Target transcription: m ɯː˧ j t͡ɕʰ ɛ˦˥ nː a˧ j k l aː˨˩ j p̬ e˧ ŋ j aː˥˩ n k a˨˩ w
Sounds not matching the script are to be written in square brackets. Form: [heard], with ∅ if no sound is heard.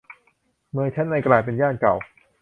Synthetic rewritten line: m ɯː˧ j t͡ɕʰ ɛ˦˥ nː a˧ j k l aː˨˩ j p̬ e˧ [n] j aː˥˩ n k a˨˩ w